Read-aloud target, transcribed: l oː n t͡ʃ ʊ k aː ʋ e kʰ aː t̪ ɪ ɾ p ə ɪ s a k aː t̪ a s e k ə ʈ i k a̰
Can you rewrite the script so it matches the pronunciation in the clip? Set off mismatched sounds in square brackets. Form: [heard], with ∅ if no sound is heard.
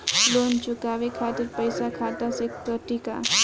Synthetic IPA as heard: l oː n t͡ʃ ʊ k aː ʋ e kʰ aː t̪ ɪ ɾ p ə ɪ s a [kʰ] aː t̪ a s e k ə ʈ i k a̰